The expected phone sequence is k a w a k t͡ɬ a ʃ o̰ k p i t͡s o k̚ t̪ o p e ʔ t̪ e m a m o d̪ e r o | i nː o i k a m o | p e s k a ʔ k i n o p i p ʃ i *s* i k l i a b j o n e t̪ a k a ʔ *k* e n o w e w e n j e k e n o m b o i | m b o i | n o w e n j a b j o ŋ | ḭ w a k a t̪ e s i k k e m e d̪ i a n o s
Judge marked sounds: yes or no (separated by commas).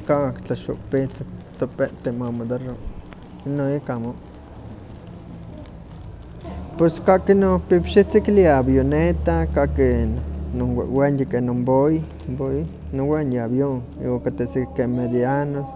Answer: no, yes